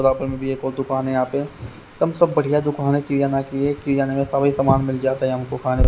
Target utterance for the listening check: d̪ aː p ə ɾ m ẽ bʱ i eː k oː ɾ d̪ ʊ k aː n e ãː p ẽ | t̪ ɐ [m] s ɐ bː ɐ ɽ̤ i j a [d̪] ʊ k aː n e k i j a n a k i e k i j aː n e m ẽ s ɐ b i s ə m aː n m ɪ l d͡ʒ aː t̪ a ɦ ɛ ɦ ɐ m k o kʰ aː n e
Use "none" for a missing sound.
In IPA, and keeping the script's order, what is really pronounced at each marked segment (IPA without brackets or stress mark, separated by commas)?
m, d̪